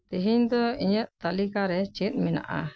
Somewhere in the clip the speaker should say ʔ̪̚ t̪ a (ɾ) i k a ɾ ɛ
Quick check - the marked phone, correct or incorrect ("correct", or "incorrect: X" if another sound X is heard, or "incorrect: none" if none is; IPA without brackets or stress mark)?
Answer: incorrect: l